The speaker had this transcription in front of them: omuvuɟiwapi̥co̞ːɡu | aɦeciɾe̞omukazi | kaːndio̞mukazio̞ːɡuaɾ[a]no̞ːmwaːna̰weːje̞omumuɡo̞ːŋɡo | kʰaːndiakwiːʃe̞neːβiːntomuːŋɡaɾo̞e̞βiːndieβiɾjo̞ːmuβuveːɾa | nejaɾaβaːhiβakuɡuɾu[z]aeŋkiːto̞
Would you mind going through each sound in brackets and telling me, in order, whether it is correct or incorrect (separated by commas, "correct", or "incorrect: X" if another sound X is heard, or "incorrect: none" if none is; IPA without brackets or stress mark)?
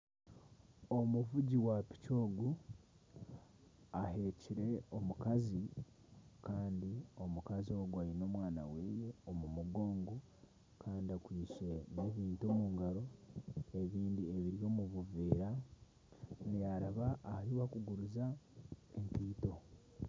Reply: incorrect: i, correct